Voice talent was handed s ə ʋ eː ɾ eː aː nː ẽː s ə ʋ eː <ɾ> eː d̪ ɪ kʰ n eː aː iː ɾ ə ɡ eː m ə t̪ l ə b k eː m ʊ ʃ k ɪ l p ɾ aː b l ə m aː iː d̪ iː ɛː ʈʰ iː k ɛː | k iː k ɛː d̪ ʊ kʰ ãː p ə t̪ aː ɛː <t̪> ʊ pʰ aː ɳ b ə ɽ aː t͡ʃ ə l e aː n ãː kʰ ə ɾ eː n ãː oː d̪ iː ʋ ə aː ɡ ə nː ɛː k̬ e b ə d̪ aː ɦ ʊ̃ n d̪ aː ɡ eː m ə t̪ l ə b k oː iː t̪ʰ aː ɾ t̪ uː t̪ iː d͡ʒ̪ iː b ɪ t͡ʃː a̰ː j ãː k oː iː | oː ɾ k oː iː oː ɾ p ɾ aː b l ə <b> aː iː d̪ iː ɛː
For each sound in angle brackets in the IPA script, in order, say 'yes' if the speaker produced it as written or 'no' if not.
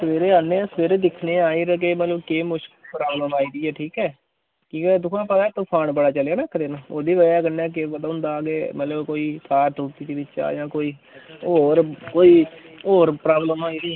yes, yes, no

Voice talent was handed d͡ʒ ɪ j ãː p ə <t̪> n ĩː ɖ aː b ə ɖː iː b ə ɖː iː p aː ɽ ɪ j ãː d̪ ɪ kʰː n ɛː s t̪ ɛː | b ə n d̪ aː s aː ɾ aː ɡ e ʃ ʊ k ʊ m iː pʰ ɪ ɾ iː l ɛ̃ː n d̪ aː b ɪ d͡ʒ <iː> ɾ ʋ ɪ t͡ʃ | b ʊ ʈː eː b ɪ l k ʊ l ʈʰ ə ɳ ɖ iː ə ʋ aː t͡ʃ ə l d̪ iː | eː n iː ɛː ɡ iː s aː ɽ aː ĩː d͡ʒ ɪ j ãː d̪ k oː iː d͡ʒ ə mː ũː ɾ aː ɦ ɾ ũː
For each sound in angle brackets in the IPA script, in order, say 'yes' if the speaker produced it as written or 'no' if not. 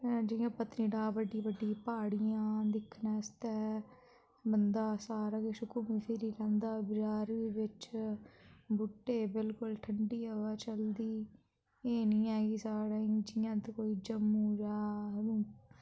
yes, no

